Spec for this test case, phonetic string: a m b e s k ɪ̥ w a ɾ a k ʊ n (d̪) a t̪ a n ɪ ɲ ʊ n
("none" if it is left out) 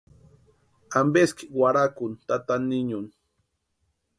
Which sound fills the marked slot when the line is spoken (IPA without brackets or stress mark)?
t̪